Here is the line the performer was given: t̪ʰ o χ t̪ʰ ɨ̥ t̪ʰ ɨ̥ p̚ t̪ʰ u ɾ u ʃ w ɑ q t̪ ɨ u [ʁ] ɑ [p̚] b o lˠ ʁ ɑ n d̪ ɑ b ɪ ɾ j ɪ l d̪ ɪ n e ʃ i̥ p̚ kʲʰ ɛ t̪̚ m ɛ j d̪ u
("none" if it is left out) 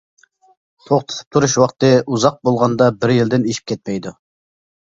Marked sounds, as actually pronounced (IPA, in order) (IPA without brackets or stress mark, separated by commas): z, q̚